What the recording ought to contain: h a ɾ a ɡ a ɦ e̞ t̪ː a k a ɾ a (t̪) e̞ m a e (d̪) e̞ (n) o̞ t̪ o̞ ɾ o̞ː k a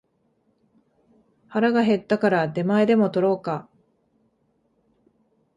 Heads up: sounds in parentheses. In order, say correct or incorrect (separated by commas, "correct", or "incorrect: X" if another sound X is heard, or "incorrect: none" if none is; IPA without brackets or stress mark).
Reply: incorrect: d̪, correct, incorrect: m